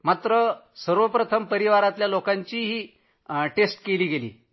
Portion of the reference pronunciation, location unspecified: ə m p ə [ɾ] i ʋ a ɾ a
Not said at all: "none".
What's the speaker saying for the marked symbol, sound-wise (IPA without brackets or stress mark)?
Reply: ɾ